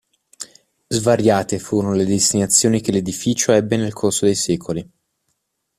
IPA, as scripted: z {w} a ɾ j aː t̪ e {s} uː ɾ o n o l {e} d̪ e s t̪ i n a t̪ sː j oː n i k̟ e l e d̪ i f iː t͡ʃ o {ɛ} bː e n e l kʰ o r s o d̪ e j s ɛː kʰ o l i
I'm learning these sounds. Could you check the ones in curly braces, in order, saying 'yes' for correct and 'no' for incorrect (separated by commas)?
no, no, yes, yes